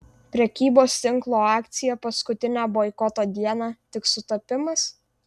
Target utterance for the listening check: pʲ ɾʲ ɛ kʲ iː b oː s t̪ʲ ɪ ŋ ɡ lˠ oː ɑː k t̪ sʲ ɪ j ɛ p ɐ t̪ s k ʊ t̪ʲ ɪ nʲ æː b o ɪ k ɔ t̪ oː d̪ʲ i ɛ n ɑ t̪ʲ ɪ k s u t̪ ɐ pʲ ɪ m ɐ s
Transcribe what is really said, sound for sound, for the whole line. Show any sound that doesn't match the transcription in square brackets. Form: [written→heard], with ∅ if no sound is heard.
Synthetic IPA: pʲ ɾʲ ɛ kʲ iː b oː s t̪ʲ ɪ ŋ [ɡ→k] lˠ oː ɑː k t̪ sʲ ɪ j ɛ p ɐ [t̪→∅] s k ʊ t̪ʲ ɪ nʲ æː b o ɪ k ɔ t̪ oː d̪ʲ i ɛ n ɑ t̪ʲ ɪ k s [u→ʊ] t̪ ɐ pʲ ɪ m ɐ s